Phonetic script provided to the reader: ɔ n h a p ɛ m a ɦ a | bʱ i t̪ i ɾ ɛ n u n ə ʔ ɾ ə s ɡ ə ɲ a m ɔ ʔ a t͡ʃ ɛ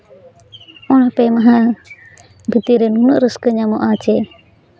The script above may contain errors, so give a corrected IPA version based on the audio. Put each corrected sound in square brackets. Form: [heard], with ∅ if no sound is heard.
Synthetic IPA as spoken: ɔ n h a p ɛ m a ɦ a | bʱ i t̪ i ɾ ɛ n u n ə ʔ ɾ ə s [k] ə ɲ a m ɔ ʔ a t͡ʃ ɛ